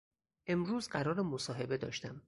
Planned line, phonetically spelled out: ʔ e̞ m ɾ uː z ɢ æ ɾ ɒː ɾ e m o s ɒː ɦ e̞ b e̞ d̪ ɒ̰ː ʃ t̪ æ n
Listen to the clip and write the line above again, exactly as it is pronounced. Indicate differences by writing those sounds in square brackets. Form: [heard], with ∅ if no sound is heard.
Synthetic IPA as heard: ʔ e̞ m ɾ uː z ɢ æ ɾ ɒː ɾ e m o s ɒː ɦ e̞ b e̞ d̪ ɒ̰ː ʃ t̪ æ [m]